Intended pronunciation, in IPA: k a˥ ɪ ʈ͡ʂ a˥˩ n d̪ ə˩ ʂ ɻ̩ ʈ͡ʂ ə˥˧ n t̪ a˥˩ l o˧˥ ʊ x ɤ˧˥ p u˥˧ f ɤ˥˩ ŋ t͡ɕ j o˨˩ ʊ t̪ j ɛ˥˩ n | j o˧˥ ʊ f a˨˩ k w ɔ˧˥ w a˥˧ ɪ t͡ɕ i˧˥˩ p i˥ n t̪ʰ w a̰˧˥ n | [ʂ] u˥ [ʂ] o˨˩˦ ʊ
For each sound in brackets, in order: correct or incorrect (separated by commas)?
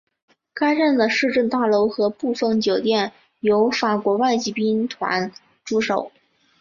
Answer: incorrect, correct